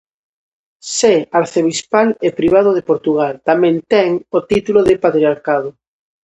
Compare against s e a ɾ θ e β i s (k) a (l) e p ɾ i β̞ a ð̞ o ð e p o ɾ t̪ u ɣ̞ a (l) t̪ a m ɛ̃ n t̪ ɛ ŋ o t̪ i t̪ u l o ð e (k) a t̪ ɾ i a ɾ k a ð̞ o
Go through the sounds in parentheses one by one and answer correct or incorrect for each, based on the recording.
incorrect, correct, correct, incorrect

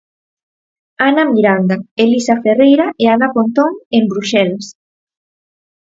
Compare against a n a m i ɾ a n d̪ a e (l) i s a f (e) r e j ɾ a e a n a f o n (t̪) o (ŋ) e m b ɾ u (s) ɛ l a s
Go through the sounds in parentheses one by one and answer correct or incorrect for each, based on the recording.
correct, correct, correct, correct, incorrect

